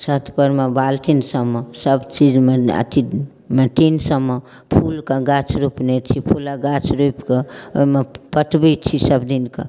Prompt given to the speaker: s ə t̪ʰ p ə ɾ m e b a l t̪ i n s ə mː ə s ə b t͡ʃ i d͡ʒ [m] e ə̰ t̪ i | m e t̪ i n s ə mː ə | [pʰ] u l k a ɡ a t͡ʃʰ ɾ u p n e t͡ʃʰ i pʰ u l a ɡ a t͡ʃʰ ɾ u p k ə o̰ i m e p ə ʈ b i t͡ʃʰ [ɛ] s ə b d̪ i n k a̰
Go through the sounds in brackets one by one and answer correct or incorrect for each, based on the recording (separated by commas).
correct, correct, incorrect